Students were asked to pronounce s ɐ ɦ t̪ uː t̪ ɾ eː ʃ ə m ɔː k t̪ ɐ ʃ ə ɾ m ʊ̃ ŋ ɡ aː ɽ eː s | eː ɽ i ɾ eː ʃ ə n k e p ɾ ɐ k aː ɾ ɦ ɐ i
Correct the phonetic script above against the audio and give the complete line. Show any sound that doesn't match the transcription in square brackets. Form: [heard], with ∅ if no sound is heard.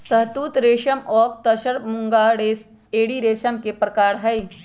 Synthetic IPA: s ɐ ɦ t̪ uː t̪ ɾ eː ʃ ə m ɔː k t̪ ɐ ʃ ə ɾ m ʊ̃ ŋ ɡ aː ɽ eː s | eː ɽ i ɾ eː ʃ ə [m] k e p ɾ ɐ k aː ɾ ɦ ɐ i